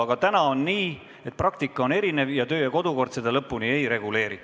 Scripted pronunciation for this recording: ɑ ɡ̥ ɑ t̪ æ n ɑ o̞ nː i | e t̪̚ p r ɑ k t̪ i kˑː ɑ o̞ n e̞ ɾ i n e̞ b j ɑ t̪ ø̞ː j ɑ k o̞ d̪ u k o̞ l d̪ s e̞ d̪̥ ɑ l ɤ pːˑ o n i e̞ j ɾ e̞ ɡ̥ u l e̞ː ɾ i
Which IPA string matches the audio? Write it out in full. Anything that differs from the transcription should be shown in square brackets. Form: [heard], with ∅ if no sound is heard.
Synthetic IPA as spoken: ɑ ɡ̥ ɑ t̪ æ n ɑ o̞ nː [iː] | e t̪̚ p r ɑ k t̪ i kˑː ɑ o̞ n e̞ ɾ i n e̞ [v] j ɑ t̪ ø̞ː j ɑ k o̞ d̪ u k o̞ [r] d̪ s e̞ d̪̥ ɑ l ɤ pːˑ [u] n i e̞ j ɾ e̞ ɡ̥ u l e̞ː ɾ i